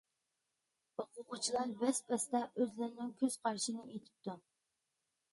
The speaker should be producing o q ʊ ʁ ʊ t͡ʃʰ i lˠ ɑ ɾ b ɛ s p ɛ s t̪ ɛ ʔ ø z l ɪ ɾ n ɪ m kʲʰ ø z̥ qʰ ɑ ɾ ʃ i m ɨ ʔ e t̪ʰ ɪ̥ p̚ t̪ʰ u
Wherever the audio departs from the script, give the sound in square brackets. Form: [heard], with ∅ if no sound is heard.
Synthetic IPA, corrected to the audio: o q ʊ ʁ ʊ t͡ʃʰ i lˠ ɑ ɾ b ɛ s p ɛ s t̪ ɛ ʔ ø z l ɪ ɾ n ɪ [ŋ] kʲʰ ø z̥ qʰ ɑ ɾ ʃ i [n] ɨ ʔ e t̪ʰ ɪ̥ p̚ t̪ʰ u